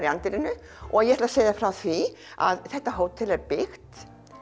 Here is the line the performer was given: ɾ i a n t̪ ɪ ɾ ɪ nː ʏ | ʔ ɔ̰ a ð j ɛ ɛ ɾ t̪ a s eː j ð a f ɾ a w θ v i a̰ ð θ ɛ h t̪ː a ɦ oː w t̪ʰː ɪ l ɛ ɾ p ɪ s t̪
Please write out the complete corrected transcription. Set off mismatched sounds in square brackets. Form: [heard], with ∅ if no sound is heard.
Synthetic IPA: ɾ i a n t̪ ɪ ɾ ɪ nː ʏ | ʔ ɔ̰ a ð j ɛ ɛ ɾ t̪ a s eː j ð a f ɾ a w θ v i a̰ ð θ ɛ h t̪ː a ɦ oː w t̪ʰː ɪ l ɛ ɾ p ɪ [x] t̪